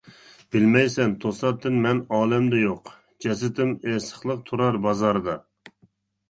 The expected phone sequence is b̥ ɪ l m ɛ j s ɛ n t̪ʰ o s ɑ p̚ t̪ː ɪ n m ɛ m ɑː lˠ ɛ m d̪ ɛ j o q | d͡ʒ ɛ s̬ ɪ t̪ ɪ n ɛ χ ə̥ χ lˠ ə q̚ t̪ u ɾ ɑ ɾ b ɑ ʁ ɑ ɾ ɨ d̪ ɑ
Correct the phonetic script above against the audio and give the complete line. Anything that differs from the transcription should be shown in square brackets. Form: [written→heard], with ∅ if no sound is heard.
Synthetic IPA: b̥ ɪ l m ɛ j s ɛ n t̪ʰ o s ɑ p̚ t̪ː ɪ n m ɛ [m→n] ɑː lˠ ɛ m d̪ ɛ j o q | d͡ʒ ɛ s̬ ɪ t̪ ɪ [n→m] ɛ [χ→s] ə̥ χ lˠ ə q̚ [t̪→t̪ʰ] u ɾ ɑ ɾ b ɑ [ʁ→z] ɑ ɾ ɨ d̪ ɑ